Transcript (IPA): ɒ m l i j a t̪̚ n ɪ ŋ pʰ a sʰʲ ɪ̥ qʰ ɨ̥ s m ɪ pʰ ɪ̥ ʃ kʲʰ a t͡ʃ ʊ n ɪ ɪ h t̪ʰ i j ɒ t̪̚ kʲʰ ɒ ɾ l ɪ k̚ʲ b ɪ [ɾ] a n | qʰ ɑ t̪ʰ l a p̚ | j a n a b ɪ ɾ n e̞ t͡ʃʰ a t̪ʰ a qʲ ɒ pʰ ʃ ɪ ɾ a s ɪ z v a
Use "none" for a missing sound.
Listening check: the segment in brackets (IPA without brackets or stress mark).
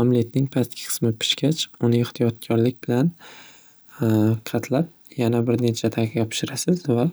l